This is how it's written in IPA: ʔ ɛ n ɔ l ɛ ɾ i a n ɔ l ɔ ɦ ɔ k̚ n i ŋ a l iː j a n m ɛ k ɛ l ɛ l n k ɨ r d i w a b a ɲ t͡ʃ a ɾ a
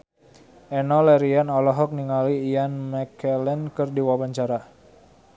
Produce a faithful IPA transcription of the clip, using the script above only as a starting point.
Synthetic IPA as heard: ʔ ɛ n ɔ l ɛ ɾ i a n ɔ l ɔ ɦ ɔ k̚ n i ŋ a l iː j a n m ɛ k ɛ l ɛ n k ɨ r d i w a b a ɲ t͡ʃ a ɾ a